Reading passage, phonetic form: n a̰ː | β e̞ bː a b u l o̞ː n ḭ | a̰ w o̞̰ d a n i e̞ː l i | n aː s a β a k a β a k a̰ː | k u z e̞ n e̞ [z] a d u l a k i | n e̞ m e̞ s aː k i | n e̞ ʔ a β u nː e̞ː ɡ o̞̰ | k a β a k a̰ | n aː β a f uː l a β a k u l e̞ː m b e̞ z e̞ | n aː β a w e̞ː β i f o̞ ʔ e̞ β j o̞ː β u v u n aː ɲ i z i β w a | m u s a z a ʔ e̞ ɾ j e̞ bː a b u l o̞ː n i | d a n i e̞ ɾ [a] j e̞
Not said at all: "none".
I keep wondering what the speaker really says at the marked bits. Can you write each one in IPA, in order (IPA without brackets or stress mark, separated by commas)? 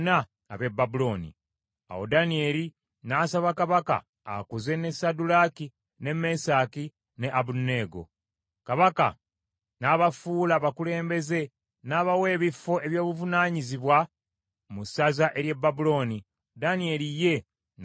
s, i